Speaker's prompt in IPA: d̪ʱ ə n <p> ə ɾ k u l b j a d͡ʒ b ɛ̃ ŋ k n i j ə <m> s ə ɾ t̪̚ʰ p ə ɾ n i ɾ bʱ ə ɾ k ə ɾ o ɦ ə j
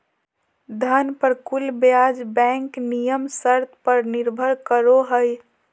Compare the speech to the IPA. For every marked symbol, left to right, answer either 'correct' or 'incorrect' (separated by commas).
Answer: correct, correct